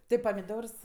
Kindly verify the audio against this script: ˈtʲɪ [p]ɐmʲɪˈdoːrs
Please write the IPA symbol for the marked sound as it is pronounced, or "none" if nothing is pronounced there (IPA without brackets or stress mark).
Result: p